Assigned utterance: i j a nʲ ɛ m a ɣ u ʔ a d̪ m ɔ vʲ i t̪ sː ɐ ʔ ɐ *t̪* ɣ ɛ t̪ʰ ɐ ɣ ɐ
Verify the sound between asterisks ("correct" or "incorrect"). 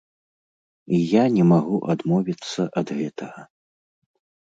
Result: incorrect